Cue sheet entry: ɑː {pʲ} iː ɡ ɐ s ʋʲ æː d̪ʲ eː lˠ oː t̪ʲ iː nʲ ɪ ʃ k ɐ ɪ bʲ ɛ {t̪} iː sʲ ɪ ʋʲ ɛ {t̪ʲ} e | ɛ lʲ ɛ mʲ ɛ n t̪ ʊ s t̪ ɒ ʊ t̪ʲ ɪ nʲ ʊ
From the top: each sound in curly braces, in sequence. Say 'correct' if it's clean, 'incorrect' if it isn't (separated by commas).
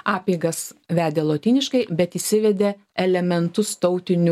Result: correct, correct, incorrect